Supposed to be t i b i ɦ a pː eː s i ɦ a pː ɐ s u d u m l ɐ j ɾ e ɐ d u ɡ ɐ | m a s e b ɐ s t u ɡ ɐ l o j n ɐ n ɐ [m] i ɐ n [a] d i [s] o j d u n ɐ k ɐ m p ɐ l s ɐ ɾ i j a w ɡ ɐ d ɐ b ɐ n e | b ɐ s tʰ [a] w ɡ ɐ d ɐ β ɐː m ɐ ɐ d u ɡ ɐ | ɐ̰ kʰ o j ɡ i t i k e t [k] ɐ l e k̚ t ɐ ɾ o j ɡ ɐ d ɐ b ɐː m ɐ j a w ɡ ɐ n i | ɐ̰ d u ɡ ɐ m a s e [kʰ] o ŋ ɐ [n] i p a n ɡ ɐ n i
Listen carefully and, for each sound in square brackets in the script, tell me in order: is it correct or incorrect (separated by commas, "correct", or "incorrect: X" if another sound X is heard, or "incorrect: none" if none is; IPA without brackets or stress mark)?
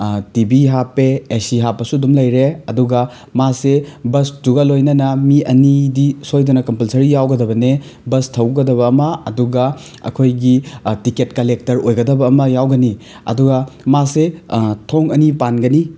correct, incorrect: i, correct, incorrect: ɐ, correct, incorrect: tʰ, correct